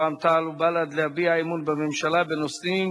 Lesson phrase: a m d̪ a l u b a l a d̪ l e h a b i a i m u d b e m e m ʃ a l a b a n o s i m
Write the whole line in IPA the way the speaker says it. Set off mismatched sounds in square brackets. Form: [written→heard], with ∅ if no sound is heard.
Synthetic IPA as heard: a m [d̪→t̪] a l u b a l a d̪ l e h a b i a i m u [d→n] b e m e m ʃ a l a b [a→e] n o s i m